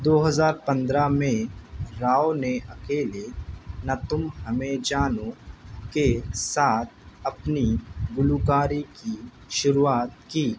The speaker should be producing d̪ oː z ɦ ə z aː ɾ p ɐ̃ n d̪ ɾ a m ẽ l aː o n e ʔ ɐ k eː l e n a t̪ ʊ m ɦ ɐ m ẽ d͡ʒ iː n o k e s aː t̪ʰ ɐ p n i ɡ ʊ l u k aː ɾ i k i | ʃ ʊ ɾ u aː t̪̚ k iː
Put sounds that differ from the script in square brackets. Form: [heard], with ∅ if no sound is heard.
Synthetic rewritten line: d̪ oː [∅] ɦ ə z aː ɾ p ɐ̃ n d̪ ɾ a m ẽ [ɾ] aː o n e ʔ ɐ k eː l e n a t̪ ʊ m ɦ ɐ m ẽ d͡ʒ [aː] n o k e s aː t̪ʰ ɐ p n i ɡ ʊ l u k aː ɾ i k i | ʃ ʊ ɾ u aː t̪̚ k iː